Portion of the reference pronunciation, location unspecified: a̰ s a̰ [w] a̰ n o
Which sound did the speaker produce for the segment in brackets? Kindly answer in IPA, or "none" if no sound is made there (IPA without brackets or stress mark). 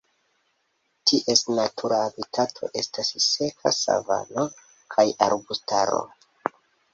v